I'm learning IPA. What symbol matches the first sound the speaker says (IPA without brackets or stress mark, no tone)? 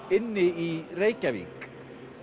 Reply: ɪ